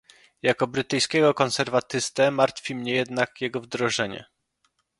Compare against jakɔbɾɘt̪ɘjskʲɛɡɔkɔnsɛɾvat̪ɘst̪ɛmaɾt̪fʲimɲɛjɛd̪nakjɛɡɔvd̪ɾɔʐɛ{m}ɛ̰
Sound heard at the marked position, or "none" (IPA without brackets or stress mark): ɲ